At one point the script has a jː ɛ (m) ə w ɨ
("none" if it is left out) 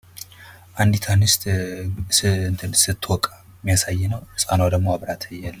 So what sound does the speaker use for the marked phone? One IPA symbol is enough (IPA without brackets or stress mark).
n